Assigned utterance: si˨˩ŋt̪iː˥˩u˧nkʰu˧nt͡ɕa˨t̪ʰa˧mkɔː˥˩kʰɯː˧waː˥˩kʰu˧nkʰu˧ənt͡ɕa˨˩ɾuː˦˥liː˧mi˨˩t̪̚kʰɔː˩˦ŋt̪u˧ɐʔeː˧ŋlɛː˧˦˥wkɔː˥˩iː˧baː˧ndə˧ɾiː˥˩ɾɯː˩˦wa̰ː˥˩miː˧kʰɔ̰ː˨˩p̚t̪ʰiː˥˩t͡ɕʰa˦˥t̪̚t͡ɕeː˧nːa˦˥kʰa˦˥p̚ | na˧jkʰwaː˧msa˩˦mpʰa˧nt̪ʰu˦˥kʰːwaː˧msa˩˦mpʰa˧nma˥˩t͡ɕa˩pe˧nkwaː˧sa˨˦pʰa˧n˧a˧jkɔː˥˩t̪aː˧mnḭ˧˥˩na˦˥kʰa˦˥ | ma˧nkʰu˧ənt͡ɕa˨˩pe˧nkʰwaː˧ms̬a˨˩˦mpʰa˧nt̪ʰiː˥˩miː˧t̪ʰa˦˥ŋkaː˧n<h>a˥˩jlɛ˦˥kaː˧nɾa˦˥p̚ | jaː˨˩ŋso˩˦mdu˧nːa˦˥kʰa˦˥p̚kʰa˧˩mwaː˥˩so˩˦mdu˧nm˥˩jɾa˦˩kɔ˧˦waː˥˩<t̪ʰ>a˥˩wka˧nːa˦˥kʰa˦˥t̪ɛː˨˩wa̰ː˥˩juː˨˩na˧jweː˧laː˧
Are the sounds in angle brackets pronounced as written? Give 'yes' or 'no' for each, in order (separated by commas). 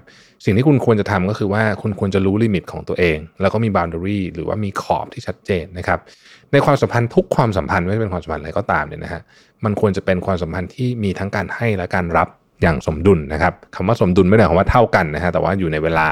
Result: yes, yes